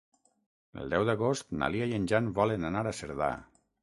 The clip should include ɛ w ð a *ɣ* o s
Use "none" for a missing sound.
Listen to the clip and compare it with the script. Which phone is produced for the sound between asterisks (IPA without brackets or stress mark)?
ɣ